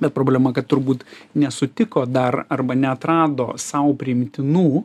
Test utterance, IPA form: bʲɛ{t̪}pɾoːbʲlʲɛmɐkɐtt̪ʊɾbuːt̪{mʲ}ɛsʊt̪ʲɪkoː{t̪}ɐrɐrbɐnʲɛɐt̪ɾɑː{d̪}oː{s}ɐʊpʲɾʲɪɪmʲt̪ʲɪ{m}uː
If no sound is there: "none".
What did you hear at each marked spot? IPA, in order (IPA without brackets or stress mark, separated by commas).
t̪, nʲ, d̪, d̪, s, n